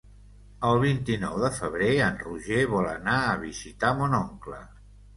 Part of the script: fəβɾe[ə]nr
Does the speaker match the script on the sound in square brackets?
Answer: yes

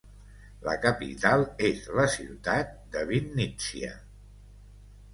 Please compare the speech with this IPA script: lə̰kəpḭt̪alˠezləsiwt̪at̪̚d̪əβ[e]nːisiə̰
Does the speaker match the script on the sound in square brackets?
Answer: no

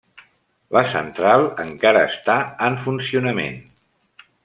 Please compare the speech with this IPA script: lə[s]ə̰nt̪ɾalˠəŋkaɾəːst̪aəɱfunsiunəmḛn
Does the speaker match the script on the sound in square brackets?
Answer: yes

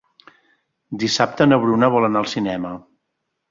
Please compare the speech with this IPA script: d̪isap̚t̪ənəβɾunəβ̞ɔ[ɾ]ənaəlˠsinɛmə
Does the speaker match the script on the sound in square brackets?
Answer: no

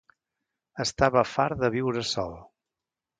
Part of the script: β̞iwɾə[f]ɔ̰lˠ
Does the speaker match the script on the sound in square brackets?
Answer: no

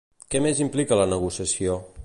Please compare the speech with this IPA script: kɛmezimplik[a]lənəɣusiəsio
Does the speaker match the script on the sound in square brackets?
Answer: no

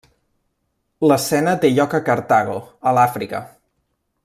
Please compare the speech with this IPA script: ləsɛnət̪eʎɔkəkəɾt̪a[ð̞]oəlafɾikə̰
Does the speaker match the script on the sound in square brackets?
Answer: no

